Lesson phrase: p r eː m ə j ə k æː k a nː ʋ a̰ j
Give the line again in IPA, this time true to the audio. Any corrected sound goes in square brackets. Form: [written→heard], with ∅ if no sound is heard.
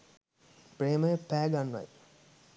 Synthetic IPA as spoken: p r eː m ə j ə [k→p] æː [k→ɡ] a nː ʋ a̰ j